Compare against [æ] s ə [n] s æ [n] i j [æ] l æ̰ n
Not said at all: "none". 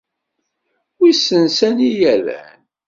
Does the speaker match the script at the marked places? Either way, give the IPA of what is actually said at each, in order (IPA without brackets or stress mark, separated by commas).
i, n, n, æ